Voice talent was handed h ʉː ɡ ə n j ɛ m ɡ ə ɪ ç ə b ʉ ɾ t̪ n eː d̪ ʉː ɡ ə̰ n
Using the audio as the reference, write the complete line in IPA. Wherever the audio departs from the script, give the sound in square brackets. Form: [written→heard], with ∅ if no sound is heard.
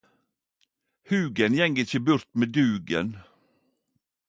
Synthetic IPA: h ʉː ɡ ə n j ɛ [m→ŋ] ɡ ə ɪ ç ə b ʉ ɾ t̪ [n→m] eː d̪ ʉː ɡ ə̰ n

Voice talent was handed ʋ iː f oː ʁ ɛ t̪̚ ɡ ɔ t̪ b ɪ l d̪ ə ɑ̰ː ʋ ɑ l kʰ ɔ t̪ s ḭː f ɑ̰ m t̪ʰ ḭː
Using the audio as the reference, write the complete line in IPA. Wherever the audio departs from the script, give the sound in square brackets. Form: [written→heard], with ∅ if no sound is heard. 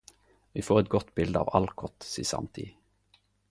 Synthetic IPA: ʋ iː f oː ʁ ɛ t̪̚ ɡ ɔ t̪ b ɪ l d̪ ə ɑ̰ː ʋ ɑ l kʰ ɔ t̪ s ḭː [f→s] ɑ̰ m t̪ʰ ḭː

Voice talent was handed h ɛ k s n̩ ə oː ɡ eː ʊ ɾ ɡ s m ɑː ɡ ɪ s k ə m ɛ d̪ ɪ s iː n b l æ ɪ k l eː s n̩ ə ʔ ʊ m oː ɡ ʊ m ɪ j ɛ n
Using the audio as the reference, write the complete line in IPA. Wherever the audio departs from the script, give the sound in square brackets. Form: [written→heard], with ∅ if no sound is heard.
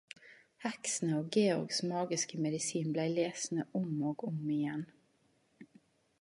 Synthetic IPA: h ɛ k s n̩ ə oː ɡ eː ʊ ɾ ɡ s m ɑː ɡ ɪ s k ə m ɛ d̪ ɪ s iː n b l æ ɪ [k→∅] l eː s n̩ ə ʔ ʊ m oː ɡ ʊ m ɪ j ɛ n

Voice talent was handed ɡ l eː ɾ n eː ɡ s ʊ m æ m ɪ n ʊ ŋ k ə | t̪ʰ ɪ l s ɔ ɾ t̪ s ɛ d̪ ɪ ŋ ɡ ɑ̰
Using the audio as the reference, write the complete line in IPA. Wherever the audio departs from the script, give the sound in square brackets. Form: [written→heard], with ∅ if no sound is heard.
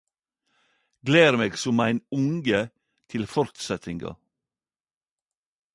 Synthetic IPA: ɡ l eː ɾ [n→m] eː ɡ s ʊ m æ [m→∅] ɪ n ʊ ŋ [k→ɡ] ə | t̪ʰ ɪ l [s→f] ɔ ɾ t̪ s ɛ [d̪→t̪] ɪ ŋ ɡ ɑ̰

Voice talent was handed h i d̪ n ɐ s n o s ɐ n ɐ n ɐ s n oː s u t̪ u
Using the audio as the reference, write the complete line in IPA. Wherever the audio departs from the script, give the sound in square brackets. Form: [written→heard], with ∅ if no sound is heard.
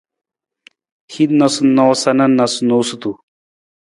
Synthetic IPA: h i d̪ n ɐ s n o s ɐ n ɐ n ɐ s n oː s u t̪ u

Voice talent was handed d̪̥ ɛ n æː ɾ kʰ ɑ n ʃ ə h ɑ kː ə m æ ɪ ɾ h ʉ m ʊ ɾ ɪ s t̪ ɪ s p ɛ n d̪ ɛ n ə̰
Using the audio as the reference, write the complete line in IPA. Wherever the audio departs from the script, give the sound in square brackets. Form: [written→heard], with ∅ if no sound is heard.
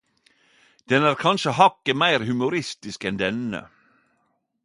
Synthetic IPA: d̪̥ ɛ n æː ɾ kʰ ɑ n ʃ ə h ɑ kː ə m æ ɪ ɾ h ʉ m ʊ ɾ ɪ s t̪ ɪ s [p→k] ɛ n d̪ ɛ n ə̰

